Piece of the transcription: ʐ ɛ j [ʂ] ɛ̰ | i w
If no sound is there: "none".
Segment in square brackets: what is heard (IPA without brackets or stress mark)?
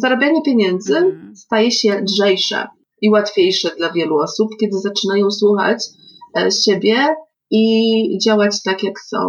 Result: ʂ